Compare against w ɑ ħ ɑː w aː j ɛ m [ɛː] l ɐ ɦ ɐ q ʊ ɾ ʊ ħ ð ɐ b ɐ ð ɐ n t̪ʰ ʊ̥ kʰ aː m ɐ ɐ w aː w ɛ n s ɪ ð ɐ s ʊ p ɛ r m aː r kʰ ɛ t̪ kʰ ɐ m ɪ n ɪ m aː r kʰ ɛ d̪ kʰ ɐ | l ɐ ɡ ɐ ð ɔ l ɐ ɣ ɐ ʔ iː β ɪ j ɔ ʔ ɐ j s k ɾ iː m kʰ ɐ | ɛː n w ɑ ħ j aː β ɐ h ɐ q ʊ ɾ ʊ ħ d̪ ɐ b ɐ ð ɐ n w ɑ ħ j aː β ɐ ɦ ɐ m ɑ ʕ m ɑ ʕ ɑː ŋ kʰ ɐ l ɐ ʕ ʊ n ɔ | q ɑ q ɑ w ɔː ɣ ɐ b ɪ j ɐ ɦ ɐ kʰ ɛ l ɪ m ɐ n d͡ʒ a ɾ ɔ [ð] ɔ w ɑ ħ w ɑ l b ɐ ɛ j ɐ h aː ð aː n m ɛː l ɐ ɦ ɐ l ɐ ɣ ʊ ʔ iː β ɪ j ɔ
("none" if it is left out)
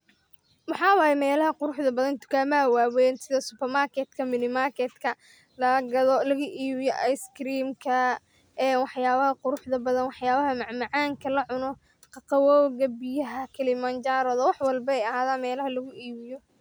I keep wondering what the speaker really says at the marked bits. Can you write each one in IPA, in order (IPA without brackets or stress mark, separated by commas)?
ɛː, ð